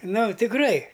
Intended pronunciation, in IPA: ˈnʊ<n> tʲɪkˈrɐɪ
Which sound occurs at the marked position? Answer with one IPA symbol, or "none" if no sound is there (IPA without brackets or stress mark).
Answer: none